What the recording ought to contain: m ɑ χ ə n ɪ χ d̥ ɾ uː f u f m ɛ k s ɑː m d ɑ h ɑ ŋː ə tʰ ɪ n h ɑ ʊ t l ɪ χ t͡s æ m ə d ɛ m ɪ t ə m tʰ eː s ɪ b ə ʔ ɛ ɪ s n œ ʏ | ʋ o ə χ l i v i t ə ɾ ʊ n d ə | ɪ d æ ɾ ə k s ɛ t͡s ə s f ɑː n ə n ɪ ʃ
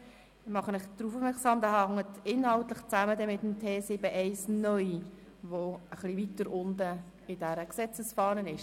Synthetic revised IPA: m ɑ χ ə n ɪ χ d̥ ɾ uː f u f m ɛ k s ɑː m d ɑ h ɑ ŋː ə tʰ ɪ n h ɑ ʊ t l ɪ χ t͡s æ m ə d ɛ m ɪ t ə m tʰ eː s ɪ b ə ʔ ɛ ɪ s n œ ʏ | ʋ o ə χ l i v i t ə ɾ ʊ n d ə | ɪ d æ ɾ ə k s ɛ t͡s ə s f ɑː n ə n ɪ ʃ